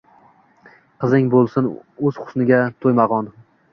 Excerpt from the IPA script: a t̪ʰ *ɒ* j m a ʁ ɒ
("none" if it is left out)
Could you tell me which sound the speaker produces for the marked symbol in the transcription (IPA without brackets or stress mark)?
o